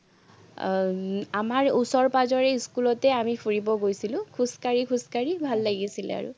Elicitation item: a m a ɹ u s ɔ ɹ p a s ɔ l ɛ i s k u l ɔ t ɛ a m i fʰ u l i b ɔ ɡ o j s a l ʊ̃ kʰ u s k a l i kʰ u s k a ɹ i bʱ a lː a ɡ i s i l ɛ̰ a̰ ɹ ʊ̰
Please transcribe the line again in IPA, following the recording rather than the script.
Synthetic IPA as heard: a m a ɹ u s ɔ ɹ p a z ɔ ɹ ɛ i s k u l ɔ t ɛ a m i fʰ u ɹ i b ɔ ɡ o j s i l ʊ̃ kʰ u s k a ɹ i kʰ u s k a ɹ i bʱ a lː a ɡ i s i l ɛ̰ a̰ ɹ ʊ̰